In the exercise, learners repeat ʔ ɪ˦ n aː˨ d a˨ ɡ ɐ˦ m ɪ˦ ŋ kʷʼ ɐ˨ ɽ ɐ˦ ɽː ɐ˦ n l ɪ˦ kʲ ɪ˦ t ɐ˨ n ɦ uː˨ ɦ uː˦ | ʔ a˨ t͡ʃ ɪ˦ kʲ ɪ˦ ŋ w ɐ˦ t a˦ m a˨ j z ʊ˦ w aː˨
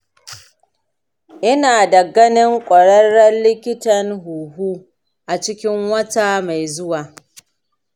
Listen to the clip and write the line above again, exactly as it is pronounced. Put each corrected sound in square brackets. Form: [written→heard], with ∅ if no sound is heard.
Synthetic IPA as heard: ʔ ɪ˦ n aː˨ d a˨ ɡ ɐ˦ [m→n] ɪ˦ ŋ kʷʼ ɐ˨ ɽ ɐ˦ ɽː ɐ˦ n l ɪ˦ kʲ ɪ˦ t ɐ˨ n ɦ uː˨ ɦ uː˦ | ʔ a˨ t͡ʃ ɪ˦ kʲ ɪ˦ ŋ w ɐ˦ t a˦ m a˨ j z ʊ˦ w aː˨